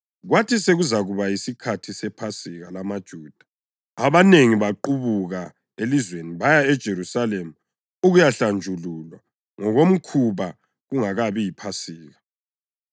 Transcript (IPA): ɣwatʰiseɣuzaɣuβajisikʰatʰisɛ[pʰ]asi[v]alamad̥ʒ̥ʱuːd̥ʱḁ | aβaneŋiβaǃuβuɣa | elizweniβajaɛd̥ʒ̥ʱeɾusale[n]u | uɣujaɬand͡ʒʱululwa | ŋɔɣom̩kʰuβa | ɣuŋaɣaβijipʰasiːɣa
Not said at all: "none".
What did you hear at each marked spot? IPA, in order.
pʰ, ɣ, m

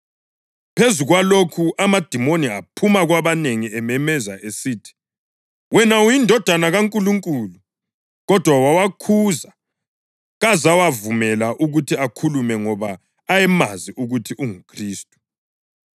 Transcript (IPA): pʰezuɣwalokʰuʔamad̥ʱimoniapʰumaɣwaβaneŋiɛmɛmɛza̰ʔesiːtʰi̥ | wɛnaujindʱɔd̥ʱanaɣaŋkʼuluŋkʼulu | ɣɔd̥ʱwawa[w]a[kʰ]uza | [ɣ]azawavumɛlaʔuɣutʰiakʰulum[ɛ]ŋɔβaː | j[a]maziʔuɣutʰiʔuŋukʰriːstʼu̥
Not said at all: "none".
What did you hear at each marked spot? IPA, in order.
w, kʰ, ɣ, ɛ, ɛ

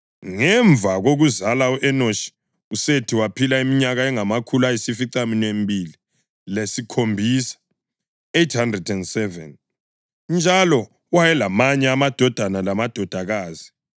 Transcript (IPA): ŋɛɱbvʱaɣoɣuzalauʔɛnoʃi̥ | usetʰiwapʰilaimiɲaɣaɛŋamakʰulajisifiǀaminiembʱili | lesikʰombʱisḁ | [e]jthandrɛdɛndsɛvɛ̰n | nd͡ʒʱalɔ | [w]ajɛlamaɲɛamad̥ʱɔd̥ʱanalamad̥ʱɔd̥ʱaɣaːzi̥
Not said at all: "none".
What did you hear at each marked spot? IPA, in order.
e, w

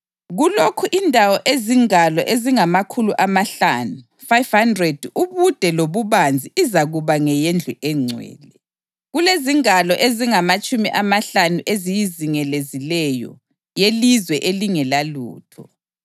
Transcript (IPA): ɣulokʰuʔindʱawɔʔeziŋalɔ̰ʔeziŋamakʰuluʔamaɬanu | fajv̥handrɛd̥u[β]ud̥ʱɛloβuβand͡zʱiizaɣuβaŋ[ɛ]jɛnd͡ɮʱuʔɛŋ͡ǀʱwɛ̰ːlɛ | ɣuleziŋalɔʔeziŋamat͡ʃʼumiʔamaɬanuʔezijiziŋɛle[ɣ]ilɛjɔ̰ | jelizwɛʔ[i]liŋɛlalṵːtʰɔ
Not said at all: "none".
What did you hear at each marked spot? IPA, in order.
β, ɛ, z, e

